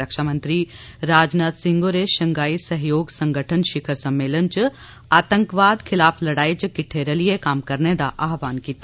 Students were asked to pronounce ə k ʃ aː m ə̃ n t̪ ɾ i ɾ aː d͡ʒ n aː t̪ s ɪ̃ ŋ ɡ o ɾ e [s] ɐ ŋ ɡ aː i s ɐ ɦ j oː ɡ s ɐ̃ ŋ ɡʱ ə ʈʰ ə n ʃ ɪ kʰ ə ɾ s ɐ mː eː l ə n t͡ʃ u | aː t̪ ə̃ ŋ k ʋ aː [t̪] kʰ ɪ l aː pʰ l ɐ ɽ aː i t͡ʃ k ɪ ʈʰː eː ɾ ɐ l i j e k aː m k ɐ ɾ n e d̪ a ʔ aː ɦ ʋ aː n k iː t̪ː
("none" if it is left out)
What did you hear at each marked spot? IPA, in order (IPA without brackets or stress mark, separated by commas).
ʃ, d̪